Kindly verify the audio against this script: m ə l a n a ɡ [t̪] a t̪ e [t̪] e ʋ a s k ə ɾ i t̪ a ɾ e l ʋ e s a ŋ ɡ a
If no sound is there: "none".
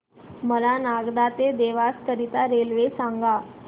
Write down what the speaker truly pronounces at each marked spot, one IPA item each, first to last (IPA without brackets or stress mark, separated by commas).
d̪, d̪